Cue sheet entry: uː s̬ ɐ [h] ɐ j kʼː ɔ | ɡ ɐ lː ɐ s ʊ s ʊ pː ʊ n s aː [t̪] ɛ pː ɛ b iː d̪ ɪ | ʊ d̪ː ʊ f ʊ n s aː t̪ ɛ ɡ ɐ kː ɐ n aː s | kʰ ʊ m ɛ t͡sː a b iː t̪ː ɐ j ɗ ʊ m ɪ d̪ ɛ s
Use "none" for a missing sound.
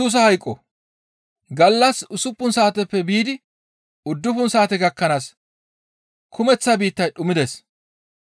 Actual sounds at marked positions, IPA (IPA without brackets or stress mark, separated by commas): h, t̪